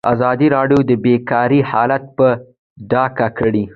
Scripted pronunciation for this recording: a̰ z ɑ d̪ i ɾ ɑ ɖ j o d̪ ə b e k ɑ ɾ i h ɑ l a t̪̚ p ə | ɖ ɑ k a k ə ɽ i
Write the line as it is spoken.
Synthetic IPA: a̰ z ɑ d̪ i ɾ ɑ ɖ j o d̪ ə b e k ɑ ɾ i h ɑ l a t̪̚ p ə | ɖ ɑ k a k ə ɽ i